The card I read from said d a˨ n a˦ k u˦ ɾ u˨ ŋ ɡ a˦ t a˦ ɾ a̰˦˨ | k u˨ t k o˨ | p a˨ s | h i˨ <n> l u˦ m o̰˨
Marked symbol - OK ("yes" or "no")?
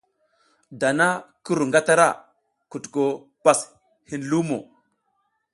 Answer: yes